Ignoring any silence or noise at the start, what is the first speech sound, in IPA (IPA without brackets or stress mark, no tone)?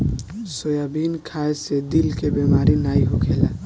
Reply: s